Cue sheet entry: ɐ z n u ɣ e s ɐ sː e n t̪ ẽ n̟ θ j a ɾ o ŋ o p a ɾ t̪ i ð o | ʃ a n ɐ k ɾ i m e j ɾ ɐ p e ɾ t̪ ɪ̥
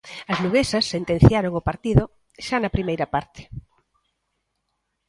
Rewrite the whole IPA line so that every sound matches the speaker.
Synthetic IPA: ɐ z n u ɣ e s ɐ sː e n t̪ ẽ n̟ θ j a ɾ o ŋ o p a ɾ t̪ i ð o | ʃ a n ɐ p ɾ i m e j ɾ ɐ p a ɾ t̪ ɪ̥